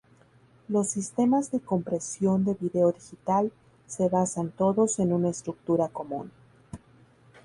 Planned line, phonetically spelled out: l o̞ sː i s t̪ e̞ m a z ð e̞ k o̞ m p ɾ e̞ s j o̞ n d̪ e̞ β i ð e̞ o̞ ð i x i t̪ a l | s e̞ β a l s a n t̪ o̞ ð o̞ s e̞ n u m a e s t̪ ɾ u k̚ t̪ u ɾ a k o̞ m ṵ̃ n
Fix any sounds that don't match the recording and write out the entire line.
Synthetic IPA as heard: l o̞ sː i s t̪ e̞ m a z ð e̞ k o̞ m p ɾ e̞ s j o̞ n d̪ e̞ β i ð e̞ o̞ ð i x i t̪ a l | s e̞ β a s a n t̪ o̞ ð o̞ s e̞ n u n a e s t̪ ɾ u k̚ t̪ u ɾ a k o̞ m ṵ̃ n